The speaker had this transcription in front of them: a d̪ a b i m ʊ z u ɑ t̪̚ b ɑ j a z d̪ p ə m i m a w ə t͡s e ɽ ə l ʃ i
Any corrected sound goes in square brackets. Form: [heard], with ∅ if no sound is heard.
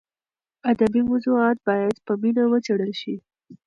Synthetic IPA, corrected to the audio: a d̪ a b i m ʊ z u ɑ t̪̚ b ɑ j a [∅] d̪ p ə m i [n] a w ə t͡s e ɽ ə l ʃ i